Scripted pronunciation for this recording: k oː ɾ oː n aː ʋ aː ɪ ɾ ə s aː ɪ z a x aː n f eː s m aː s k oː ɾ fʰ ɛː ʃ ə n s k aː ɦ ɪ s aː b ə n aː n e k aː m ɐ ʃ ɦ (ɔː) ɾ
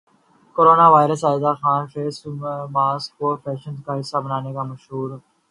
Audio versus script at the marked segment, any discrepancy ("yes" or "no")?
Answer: yes